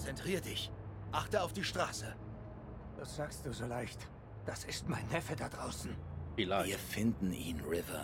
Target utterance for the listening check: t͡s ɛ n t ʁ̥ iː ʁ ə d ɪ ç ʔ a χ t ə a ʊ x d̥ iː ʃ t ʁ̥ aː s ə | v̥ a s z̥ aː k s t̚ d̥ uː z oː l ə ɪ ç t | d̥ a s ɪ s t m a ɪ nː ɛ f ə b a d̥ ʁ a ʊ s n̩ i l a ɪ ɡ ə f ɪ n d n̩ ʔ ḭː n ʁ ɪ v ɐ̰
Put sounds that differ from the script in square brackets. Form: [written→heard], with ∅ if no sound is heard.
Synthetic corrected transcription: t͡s ɛ n t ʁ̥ iː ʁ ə d ɪ ç ʔ a χ t ə a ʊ [x→f] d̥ iː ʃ t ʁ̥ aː s ə | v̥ a s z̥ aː k s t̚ d̥ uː z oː l [ə→a] ɪ ç t | d̥ a s ɪ s t m a ɪ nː ɛ f ə [b→d] a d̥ ʁ a ʊ s n̩ i l a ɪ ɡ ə f ɪ n d n̩ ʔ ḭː n ʁ ɪ v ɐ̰